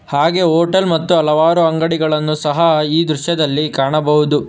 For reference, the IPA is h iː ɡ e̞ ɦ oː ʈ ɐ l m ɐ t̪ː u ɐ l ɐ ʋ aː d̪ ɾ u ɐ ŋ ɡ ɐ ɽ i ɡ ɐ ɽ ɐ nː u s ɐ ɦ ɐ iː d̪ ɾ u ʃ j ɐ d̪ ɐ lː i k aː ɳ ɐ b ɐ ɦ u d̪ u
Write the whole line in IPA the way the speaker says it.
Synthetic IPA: h aː ɡ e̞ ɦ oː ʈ ɐ l m ɐ t̪ː u ɐ l ɐ ʋ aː ɾ u ɐ ŋ ɡ ɐ ɽ i ɡ ɐ ɭ ɐ nː u s ɐ ɦ ɐ iː d̪ ɾ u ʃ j ɐ d̪ ɐ lː i k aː ɳ ɐ b ɐ ɦ u d̪ u